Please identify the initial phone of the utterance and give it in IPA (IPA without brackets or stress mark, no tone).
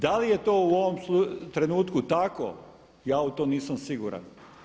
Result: d̪